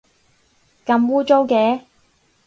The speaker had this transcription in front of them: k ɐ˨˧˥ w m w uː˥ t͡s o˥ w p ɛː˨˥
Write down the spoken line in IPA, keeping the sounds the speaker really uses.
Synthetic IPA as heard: k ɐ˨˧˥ m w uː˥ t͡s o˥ w k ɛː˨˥